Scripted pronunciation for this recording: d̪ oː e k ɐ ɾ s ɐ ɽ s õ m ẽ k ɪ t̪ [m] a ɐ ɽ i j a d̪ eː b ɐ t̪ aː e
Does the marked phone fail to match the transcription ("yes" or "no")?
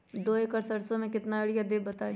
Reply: yes